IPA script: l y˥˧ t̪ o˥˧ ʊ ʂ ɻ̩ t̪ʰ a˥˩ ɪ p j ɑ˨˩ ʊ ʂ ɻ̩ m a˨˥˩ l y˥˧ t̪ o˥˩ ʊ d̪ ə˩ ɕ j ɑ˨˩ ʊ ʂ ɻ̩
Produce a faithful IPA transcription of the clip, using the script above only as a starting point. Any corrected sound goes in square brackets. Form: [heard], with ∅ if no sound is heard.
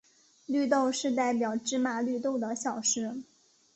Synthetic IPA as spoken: l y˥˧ t̪ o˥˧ ʊ ʂ ɻ̩ [t̪] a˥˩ ɪ p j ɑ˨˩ ʊ [ʈ͡ʂ] ɻ̩ m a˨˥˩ l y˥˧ t̪ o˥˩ ʊ d̪ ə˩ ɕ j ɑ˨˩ ʊ ʂ ɻ̩